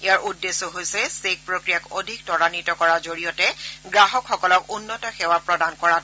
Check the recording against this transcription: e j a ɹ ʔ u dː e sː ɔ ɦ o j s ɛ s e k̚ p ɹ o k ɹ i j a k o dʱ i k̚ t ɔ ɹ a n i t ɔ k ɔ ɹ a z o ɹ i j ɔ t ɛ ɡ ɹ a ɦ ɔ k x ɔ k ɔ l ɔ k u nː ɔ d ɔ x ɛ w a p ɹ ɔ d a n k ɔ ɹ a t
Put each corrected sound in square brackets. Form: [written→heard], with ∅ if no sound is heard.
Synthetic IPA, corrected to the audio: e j a ɹ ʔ u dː e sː ɔ ɦ o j s ɛ s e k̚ p ɹ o k ɹ i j a k o dʱ i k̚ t ɔ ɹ a n i t ɔ k ɔ ɹ a z o ɹ i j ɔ t ɛ ɡ ɹ a ɦ ɔ k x ɔ k ɔ l ɔ k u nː ɔ [d→t] ɔ x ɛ w a p ɹ ɔ d a n k ɔ ɹ a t